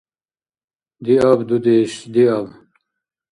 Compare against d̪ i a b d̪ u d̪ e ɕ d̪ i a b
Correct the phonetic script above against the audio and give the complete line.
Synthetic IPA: d̪ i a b d̪ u d̪ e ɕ d̪ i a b